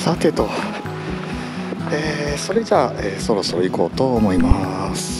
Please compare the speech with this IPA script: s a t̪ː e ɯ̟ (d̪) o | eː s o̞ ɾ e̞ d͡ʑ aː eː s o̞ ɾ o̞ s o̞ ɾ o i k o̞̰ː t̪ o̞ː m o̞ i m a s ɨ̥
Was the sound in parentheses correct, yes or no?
no